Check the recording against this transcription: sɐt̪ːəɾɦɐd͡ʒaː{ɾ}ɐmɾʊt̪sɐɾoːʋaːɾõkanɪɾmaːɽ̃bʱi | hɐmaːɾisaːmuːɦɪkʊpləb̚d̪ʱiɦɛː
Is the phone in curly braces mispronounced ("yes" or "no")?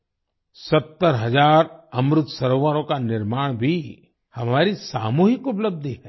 no